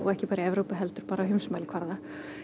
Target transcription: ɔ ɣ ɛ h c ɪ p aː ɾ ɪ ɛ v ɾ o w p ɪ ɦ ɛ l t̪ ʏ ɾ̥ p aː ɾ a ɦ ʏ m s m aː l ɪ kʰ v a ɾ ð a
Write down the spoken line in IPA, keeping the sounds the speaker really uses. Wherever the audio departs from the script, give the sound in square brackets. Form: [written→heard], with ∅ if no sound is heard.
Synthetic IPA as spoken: ɔ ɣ ɛ h c ɪ p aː ɾ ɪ ɛ v ɾ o w p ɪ ɦ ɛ l t̪ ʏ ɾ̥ p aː ɾ a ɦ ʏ m s m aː l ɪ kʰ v a ɾ ð a